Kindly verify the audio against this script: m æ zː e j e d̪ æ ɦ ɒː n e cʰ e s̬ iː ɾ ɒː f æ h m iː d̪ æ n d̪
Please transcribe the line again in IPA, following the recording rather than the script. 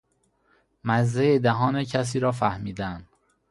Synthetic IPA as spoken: m æ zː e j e d̪ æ ɦ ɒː n e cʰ æ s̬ iː ɾ ɒː f æ h m iː d̪ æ n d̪

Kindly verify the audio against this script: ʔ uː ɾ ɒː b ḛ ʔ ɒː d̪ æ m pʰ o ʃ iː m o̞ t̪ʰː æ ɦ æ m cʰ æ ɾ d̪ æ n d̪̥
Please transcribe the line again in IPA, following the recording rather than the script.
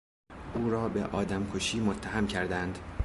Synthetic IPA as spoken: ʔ uː ɾ ɒː b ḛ ʔ ɒː d̪ æ m kʰ o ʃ iː m o̞ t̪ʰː æ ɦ æ m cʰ æ ɾ d̪ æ n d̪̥

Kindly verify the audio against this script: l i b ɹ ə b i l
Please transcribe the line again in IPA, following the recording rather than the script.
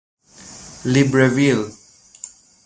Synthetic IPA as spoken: l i b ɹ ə v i l

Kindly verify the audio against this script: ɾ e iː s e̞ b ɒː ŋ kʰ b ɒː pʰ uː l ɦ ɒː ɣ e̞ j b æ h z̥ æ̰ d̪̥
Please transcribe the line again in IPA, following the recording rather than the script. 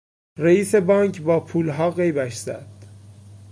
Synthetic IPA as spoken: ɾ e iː s e̞ b ɒː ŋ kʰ b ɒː pʰ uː l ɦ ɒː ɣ e̞ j b æ ʃ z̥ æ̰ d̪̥

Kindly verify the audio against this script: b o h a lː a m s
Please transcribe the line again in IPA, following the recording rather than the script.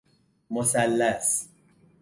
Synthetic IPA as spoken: m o s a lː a s

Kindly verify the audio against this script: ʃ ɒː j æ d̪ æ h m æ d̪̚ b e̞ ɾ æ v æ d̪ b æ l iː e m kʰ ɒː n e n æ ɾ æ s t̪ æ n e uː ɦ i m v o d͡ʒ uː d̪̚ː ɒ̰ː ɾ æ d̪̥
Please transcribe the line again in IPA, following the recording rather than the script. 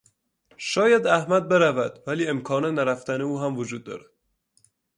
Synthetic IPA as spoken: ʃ ɒː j æ d̪ æ h m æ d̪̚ b e̞ ɾ æ v æ d̪ v æ l iː e m kʰ ɒː n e n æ ɾ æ f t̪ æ n e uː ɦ æ m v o d͡ʒ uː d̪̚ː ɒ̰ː ɾ æ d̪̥

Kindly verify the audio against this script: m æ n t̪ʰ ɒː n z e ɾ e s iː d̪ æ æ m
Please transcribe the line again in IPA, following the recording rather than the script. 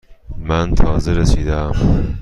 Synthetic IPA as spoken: m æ n t̪ʰ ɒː z e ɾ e s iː d̪ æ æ m

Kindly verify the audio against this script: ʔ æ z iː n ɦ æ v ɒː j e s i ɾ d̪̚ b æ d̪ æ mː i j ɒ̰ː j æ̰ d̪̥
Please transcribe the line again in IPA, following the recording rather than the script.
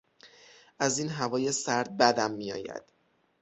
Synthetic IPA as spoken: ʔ æ z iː n ɦ æ v ɒː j e s æ ɾ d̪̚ b æ d̪ æ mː i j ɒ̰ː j æ̰ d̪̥

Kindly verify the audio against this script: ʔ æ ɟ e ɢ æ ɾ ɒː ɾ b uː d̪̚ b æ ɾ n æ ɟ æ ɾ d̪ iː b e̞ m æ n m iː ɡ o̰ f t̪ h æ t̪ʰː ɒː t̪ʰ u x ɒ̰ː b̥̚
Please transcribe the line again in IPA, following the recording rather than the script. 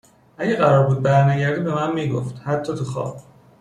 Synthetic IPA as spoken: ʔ æ ɟ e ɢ æ ɾ ɒː ɾ b uː d̪̚ b æ ɾ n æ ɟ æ ɾ d̪ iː b e̞ m æ n m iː ɡ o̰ f t̪ h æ t̪ʰː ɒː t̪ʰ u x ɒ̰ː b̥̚

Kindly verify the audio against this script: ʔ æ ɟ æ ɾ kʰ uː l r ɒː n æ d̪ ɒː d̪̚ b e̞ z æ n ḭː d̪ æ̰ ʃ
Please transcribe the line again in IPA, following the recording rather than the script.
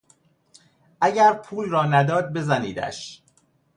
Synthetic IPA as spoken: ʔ æ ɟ æ ɾ pʰ uː l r ɒː n æ d̪ ɒː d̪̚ b e̞ z æ n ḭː d̪ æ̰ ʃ

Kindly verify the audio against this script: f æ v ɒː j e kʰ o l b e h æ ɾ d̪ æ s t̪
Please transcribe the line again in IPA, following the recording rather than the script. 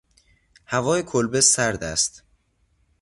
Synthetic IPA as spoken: h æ v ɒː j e kʰ o l b e s æ ɾ d̪ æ s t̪

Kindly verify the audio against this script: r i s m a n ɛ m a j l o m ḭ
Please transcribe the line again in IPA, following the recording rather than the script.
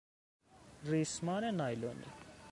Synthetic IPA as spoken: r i s m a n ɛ n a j l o n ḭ

